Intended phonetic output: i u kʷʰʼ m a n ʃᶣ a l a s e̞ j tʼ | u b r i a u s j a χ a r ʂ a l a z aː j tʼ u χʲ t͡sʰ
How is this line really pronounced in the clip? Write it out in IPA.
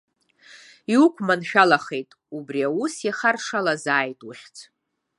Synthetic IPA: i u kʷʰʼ m a n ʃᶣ a l a χ e̞ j tʼ | u b r i a u s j a χ a r ʂ a l a z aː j tʼ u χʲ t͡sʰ